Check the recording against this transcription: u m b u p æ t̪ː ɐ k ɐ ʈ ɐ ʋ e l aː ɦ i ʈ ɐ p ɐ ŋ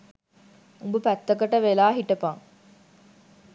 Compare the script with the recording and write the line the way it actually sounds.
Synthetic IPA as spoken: u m b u p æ t̪ː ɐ k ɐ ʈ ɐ ʋ e l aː ɦ i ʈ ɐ p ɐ ŋ